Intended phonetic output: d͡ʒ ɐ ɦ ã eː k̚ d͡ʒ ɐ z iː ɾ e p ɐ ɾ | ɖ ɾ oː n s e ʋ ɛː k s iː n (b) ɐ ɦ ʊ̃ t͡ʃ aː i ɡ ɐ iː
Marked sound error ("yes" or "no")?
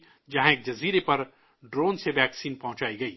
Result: yes